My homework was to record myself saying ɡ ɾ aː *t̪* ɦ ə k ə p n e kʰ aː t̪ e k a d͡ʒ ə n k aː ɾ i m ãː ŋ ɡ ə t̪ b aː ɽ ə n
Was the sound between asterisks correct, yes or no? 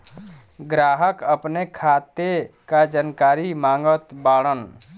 no